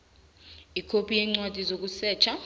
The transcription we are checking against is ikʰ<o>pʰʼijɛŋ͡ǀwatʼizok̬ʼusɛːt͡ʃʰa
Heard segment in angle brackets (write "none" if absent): o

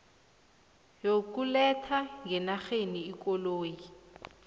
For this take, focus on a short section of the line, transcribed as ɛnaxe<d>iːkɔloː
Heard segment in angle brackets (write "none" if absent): n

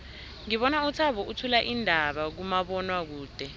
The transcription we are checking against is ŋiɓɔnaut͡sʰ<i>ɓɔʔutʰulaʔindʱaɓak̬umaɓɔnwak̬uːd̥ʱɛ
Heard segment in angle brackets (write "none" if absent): a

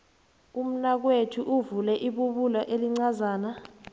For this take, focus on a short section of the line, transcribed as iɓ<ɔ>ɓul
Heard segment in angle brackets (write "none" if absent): u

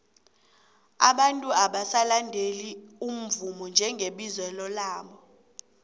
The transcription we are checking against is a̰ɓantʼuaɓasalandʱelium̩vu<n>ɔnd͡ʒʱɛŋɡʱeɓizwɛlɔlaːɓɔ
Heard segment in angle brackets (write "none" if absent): m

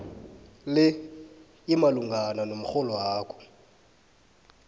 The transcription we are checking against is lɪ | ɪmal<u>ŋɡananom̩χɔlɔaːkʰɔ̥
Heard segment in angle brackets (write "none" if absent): u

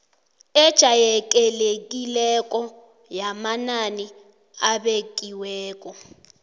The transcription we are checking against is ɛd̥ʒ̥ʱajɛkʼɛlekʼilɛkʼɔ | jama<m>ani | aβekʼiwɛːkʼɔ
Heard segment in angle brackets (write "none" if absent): n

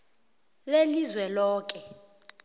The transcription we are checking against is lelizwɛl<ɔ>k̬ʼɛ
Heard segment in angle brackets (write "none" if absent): ɔː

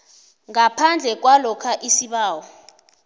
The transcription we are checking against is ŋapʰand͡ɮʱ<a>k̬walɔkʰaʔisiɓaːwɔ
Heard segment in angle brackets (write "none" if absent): ɛ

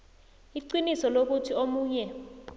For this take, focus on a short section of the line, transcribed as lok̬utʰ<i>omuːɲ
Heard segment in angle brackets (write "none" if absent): i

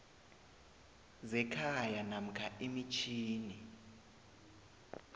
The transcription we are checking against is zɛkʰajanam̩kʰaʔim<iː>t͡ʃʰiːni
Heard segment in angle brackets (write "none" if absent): i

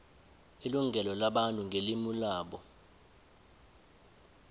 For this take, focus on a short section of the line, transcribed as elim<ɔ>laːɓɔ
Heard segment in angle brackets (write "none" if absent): u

